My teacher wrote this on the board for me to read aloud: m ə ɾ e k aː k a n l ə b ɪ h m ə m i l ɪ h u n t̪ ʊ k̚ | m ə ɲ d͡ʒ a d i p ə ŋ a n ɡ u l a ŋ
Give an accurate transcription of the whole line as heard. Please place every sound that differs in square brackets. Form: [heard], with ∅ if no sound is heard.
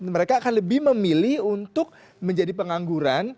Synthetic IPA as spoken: m ə ɾ e k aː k a n l ə b ɪ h m ə m i l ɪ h u n t̪ ʊ k̚ | m ə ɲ d͡ʒ a d i p ə ŋ a [ŋ] ɡ u [ɾ] a [n]